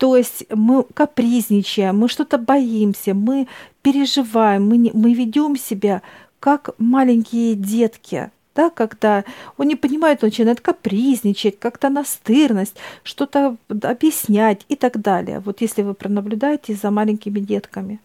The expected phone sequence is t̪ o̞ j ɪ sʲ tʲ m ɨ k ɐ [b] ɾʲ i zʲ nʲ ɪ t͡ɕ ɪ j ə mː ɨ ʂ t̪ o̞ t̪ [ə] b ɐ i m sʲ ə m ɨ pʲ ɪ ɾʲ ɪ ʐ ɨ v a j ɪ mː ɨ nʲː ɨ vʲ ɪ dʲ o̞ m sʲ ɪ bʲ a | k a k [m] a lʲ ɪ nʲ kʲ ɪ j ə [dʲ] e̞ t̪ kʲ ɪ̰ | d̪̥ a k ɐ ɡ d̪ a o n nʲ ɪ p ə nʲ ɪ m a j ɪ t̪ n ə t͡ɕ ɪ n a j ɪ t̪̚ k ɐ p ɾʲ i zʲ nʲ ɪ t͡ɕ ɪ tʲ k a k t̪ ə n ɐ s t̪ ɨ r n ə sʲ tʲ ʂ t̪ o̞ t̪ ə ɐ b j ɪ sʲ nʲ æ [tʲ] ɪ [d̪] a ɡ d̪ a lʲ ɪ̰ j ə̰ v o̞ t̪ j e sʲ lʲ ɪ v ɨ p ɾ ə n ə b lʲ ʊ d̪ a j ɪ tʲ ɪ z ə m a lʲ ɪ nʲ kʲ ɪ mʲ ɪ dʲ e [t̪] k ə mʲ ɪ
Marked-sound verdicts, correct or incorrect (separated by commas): incorrect, correct, correct, correct, correct, incorrect, correct